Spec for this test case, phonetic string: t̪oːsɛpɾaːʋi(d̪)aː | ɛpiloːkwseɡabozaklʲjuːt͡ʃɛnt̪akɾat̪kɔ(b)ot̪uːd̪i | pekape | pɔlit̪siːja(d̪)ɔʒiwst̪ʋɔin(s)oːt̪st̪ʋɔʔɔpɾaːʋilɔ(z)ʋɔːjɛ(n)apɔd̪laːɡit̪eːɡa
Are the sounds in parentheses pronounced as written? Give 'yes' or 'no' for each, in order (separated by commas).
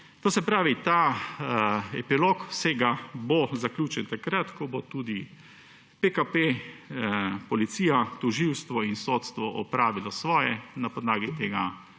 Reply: no, yes, no, yes, no, yes